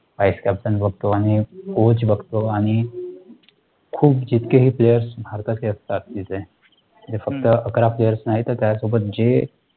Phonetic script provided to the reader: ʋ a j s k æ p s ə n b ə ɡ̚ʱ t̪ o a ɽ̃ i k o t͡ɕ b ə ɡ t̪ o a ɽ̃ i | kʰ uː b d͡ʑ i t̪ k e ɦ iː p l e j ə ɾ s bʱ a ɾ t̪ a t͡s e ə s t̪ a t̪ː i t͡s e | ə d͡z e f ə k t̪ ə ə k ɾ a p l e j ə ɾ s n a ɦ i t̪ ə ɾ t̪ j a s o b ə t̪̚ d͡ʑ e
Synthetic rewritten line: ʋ a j s k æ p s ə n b ə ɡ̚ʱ t̪ o a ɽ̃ i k o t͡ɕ b ə ɡ t̪ o a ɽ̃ i | kʰ uː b d͡ʑ i t̪ k e ɦ iː p l e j ə ɾ s bʱ a ɾ t̪ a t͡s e ə s t̪ a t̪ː i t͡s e | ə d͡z e f ə k t̪ ə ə k ɾ a p l e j ə ɾ s n a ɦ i t̪ ə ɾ t̪ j a s o b ə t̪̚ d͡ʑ e